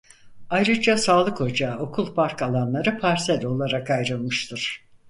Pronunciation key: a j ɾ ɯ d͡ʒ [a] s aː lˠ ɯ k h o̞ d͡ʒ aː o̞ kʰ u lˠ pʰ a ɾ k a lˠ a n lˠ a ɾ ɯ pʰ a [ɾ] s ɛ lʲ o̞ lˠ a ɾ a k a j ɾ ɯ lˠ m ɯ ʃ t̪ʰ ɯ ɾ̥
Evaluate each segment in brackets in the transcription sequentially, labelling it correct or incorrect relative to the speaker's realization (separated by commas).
correct, correct